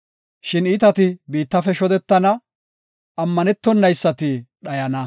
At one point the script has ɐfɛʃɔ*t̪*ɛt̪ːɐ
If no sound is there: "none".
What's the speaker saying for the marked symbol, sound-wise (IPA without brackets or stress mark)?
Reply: d̪